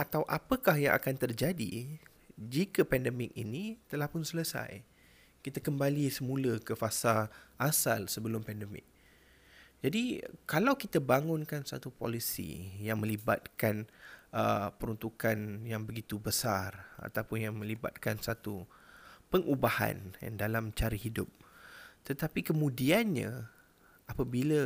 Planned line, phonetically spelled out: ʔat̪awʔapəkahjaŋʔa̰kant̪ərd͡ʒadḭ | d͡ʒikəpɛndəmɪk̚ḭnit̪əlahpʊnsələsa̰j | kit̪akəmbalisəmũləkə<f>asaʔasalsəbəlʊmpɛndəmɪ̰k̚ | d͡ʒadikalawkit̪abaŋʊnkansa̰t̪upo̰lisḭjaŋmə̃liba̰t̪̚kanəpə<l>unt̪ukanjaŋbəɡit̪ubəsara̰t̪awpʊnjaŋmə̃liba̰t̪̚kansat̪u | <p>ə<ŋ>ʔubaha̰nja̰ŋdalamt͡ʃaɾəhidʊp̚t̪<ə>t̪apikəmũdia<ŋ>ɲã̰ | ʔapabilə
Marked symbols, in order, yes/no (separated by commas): yes, no, yes, yes, yes, no